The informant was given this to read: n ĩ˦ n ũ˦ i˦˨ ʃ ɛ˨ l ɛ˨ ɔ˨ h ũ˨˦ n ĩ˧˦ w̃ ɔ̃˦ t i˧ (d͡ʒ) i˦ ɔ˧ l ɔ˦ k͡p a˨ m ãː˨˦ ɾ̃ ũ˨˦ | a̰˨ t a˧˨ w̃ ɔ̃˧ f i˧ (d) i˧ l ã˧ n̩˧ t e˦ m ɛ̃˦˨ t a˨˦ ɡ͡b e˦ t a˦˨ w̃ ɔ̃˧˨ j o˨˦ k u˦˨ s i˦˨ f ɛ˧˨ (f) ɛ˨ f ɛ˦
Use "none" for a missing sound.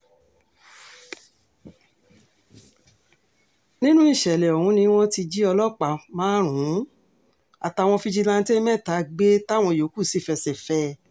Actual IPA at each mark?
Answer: d͡ʒ, d͡ʒ, s

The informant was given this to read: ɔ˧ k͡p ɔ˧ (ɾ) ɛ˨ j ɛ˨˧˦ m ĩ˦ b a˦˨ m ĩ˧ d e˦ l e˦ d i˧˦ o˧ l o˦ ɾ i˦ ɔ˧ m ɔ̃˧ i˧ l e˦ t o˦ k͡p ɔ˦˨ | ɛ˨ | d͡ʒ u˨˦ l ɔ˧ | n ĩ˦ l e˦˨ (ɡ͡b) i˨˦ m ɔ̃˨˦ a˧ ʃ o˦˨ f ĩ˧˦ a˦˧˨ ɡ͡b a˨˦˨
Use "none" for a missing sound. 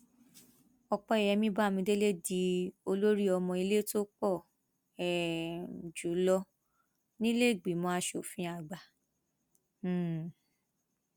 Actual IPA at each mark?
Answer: none, ɡ͡b

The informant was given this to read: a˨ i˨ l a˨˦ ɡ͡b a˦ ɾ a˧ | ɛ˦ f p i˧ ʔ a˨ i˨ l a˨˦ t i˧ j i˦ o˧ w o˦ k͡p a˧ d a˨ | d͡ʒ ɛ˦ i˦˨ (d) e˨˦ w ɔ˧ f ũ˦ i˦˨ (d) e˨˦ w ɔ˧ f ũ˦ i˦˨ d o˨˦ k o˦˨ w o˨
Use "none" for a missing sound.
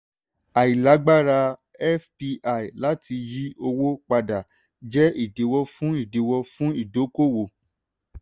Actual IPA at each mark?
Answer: d, d

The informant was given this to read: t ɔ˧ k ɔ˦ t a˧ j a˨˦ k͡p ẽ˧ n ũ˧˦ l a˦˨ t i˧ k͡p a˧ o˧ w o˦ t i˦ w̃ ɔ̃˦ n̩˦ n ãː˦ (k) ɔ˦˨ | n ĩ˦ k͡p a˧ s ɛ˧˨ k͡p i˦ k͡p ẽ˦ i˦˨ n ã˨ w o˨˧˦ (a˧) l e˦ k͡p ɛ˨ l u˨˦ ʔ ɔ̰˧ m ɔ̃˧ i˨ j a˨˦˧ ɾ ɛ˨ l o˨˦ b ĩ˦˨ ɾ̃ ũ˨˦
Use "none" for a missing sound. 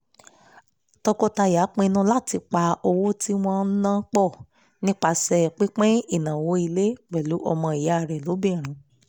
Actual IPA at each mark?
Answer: k͡p, i˧

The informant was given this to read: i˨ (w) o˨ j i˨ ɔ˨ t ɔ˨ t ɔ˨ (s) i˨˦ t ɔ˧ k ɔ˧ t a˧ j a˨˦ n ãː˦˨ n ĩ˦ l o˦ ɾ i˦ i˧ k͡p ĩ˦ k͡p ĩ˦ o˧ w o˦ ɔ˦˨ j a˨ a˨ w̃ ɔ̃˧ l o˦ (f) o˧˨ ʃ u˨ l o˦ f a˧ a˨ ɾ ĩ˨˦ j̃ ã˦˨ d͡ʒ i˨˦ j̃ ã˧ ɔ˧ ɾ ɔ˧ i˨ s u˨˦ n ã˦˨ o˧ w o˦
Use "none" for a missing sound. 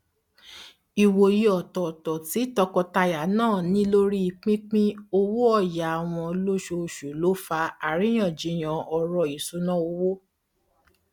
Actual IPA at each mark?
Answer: w, t, ʃ

